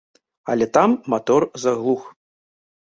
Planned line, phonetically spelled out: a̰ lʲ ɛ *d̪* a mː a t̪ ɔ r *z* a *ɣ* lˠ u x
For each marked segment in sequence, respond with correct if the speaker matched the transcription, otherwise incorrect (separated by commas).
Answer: incorrect, correct, correct